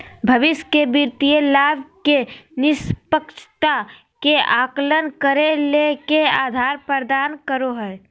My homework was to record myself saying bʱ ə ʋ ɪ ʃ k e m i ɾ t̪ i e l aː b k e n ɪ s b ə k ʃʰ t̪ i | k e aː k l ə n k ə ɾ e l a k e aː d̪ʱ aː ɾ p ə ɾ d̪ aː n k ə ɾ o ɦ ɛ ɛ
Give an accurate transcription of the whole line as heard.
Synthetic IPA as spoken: bʱ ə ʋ ɪ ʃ k e b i ɾ t̪ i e l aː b k e n ɪ s p ə k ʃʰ t̪ a | k e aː k l ə n k ə ɾ e l e k e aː d̪ʱ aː ɾ p ə ɾ d̪ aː n k ə ɾ o ɦ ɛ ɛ